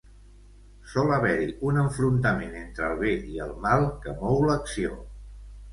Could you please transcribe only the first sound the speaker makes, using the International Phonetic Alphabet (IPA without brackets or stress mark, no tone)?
s